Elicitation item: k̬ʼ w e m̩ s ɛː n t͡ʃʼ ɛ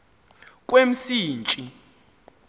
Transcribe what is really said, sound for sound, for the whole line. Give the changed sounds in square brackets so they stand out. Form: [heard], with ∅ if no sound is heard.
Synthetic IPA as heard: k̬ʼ w e m̩ s [iː] n t͡ʃʼ [i]